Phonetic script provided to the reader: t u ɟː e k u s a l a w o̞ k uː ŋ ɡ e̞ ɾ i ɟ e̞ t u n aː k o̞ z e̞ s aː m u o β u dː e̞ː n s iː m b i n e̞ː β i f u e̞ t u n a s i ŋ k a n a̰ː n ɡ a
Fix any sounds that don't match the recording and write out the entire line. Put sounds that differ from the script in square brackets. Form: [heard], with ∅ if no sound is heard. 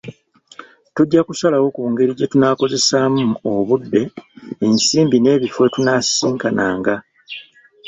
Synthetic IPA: t u ɟː [a] k u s a l a w o̞ k uː ŋ ɡ e̞ ɾ i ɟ e̞ t u n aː k o̞ z e̞ s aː m u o β u dː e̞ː n s iː m b i n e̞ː β i f [w] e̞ t u n a s [iː] ŋ k a n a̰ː [ŋ] ɡ a